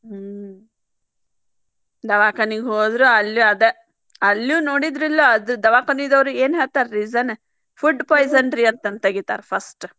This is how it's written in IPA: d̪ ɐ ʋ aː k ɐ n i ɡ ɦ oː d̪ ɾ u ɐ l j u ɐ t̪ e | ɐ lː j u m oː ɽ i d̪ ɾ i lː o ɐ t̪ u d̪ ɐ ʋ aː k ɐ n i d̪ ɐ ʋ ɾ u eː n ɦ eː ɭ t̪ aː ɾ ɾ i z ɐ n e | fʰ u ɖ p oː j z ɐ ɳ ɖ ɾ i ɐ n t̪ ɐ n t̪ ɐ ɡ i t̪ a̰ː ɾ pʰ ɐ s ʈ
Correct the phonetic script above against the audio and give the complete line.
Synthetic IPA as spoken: d̪ ɐ ʋ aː k ɐ n i ɡ ɦ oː d̪ ɾ u ɐ l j u ɐ d̪ e | ɐ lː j u n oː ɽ i d̪ ɾ i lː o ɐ d̪ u d̪ ɐ ʋ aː k ɐ n i d̪ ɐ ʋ ɾ u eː n ɦ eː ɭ t̪ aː ɾ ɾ i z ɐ n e | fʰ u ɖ p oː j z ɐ ɳ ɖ ɾ i ɐ n t̪ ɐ n t̪ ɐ ɡ i t̪ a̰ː ɾ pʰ ɐ s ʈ